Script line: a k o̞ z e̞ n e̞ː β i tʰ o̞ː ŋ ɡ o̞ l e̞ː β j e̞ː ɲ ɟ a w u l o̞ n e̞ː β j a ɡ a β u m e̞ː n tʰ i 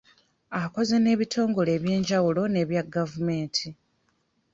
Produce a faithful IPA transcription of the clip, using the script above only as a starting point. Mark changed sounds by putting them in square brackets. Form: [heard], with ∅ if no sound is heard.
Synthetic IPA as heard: a k o̞ z e̞ n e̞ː β i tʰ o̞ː ŋ ɡ o̞ l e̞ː β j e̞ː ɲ ɟ a w u l o̞ n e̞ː β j a ɡ a [v] u m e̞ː n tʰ i